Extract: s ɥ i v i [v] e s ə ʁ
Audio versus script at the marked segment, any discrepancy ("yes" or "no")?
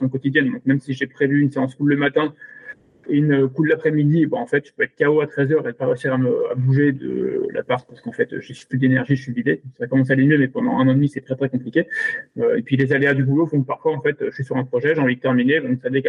no